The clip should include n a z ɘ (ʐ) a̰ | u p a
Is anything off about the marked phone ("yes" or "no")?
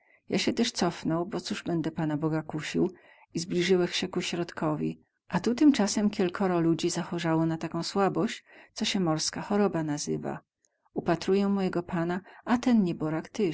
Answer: yes